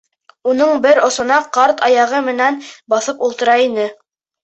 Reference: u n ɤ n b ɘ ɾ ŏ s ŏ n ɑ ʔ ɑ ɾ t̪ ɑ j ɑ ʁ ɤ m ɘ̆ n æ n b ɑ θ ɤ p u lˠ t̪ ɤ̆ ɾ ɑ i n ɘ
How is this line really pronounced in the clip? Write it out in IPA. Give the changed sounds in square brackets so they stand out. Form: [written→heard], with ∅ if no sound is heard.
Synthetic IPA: u n ɤ [n→ɴ] b ɘ ɾ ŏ s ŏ n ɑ [ʔ→q] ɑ ɾ t̪ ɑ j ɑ ʁ ɤ m ɘ̆ n æ n b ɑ θ ɤ p u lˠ t̪ ɤ̆ ɾ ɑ i n ɘ

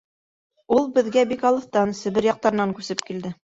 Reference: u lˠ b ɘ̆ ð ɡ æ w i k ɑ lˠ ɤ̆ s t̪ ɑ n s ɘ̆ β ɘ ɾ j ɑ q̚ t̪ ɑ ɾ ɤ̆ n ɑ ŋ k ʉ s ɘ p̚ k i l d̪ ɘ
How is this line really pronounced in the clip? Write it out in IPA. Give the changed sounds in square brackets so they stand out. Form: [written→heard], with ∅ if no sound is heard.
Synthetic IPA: u lˠ b ɘ̆ ð ɡ æ [w→b] i k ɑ lˠ ɤ̆ [s→θ] t̪ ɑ n s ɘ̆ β ɘ ɾ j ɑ q̚ t̪ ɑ ɾ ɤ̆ n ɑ ŋ k ʉ s ɘ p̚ k i l d̪ ɘ

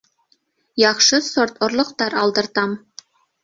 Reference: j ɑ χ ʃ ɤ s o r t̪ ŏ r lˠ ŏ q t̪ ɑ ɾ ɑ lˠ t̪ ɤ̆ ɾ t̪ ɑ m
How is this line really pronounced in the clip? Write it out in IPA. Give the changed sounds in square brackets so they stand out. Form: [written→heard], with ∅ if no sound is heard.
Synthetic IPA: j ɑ χ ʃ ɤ s o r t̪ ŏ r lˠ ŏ q t̪ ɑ ɾ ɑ lˠ [t̪→d̪] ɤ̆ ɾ t̪ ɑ m

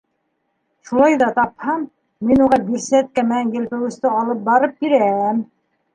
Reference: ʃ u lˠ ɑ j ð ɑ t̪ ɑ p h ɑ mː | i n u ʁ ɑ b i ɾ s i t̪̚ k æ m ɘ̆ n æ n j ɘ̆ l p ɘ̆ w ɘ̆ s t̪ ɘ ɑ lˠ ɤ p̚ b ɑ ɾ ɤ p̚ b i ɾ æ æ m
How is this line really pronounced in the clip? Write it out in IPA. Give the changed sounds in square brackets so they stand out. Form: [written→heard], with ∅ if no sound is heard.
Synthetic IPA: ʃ u lˠ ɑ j ð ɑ t̪ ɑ p h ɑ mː | i n u ʁ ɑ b i ɾ s [i→æ] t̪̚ k æ m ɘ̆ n æ n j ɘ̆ l p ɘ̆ w ɘ̆ s t̪ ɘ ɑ lˠ ɤ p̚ b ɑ ɾ ɤ p̚ b i ɾ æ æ m

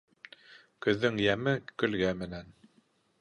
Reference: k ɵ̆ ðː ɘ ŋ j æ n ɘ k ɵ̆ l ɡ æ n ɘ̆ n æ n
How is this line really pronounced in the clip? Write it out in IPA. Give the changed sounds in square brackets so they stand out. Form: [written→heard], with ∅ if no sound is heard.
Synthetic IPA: k ɵ̆ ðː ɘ ŋ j æ [n→m] ɘ k ɵ̆ l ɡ æ [n→m] ɘ̆ n æ n

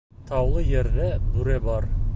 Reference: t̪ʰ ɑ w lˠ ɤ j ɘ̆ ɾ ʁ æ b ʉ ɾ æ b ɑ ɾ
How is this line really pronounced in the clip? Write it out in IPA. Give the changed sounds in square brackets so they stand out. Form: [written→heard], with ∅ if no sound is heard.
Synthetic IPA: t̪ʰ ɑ w lˠ ɤ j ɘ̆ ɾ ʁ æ b ʉ ɾ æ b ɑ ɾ

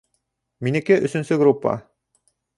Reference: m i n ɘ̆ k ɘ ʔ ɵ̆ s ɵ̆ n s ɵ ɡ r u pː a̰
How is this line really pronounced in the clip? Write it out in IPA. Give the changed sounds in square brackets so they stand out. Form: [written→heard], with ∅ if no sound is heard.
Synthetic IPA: m i n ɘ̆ k ɘ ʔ ɵ̆ s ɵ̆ n s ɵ ɡ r u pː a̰

